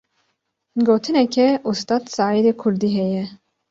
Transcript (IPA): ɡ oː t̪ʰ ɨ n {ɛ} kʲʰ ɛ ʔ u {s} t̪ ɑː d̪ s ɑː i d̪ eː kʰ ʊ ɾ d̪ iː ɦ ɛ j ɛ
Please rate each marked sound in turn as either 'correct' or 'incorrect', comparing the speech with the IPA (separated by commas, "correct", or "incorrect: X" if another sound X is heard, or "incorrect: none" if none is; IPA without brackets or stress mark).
correct, correct